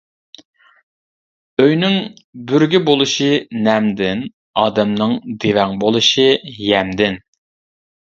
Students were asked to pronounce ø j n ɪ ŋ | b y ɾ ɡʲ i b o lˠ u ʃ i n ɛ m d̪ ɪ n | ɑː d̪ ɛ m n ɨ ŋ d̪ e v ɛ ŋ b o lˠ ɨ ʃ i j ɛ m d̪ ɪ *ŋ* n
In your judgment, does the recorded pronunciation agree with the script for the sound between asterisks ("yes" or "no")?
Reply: no